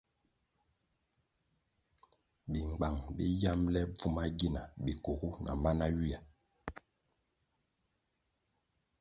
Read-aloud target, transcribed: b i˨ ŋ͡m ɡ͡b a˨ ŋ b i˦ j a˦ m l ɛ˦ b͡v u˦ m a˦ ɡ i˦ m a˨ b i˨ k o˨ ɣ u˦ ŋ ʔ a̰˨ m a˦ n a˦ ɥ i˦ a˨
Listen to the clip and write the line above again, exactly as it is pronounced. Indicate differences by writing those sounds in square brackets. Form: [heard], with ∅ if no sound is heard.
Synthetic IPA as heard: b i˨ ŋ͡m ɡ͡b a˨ ŋ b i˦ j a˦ m l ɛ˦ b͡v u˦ m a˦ ɡ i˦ [n] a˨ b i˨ k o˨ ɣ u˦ [n] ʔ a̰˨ m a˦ n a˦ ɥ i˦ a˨